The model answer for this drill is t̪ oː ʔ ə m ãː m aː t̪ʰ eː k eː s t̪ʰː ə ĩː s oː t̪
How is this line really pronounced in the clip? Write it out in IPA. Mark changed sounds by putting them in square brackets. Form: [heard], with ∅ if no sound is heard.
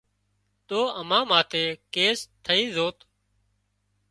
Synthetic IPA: t̪ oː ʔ ə m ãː m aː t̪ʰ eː k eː s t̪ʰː ə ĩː [z] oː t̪